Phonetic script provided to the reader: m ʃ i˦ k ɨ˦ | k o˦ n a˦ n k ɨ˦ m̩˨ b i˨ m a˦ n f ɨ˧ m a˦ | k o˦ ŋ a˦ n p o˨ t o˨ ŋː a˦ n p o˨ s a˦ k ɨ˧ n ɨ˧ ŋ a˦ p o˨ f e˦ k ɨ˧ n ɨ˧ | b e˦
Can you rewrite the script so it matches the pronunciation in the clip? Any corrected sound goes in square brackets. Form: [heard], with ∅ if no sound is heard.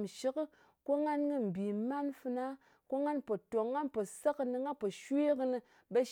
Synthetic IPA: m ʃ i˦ k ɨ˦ | k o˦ [ŋ] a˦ n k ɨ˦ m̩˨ b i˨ m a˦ n f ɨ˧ [n] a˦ | k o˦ ŋ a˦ n p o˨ t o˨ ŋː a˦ n p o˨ s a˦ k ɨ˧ n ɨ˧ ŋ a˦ p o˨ [ʃ] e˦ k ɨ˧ n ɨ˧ | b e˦